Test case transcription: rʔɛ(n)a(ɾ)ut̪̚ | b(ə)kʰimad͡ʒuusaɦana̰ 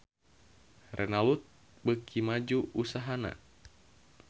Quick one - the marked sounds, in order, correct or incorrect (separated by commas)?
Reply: correct, incorrect, correct